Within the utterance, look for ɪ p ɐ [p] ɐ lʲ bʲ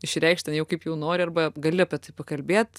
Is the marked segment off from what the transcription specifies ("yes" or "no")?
yes